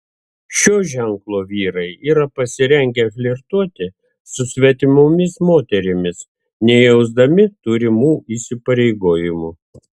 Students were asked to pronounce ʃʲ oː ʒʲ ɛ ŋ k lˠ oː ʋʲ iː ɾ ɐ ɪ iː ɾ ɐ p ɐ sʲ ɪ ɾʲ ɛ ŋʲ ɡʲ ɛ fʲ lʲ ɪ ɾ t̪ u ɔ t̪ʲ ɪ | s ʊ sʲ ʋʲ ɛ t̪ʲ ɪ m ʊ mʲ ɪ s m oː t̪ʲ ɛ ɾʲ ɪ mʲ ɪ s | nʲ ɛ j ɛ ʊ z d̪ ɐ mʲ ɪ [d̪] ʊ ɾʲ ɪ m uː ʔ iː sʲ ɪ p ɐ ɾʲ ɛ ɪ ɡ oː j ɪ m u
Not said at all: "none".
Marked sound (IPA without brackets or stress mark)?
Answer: t̪